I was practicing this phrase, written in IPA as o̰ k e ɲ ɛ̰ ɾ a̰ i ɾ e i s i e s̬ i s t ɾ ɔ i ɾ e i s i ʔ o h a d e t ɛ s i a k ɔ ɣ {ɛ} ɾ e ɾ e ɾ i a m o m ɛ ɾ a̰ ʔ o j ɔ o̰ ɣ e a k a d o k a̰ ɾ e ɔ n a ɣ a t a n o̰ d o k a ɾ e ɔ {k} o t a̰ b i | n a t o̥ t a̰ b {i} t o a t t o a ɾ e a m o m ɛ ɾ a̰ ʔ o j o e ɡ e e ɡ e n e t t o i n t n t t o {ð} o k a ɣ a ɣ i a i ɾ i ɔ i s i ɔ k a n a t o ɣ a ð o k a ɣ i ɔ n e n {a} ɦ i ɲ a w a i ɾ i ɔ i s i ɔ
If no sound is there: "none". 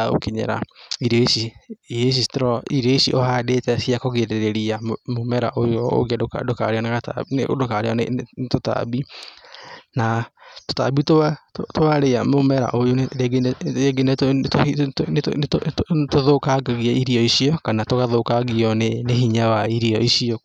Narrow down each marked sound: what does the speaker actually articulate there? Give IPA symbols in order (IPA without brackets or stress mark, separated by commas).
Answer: e, t, i, ð, e